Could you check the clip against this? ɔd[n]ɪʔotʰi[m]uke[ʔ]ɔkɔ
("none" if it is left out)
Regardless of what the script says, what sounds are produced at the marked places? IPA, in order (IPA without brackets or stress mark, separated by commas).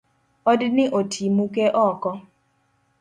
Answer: n, m, ʔ